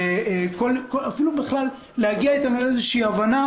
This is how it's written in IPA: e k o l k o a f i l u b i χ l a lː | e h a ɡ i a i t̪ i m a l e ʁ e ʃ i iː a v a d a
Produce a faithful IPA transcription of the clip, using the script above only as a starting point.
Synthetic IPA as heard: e k o l k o a f i l u b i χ l a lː | e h a ɡ i a i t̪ a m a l e z e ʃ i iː a v a n a